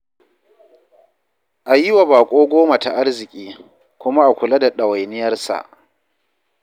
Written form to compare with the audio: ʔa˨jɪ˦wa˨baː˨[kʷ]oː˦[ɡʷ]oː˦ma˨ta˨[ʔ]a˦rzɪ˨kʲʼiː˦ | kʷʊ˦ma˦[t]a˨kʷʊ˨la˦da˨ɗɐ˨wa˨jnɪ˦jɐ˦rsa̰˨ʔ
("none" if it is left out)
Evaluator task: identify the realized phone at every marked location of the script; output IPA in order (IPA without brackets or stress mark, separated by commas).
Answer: kʷʼ, ɡʷ, ʔ, ʔ